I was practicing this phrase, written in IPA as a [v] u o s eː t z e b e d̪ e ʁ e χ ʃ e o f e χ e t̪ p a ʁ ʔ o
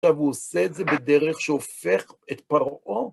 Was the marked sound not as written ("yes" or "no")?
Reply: no